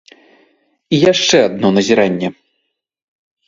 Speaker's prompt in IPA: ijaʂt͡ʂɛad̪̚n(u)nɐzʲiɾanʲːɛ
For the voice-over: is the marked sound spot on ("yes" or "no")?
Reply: no